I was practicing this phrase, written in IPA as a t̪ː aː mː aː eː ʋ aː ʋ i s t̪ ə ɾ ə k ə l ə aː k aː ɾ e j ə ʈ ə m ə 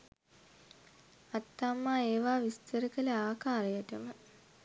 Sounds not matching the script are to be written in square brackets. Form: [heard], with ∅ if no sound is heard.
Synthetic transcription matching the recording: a t̪ː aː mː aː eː ʋ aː ʋ i s t̪ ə ɾ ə k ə l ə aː k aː ɾ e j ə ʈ ə m ə